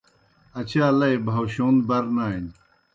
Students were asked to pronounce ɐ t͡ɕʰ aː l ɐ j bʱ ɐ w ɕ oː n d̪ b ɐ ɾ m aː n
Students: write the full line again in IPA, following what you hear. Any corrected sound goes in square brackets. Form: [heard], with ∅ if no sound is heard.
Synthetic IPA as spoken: ɐ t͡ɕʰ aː l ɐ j bʱ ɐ w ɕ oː n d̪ b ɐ ɾ [n] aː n